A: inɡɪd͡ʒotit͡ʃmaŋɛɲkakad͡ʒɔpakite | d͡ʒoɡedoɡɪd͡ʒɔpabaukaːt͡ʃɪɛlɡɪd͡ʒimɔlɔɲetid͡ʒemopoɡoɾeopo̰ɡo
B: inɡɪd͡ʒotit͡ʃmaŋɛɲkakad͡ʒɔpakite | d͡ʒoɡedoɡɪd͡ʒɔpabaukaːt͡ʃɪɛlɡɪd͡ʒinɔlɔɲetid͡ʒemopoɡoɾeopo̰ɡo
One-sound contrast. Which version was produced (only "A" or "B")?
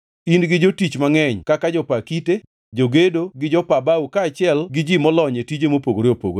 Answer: A